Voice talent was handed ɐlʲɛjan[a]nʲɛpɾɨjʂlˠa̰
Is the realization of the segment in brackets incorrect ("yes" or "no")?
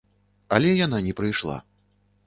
no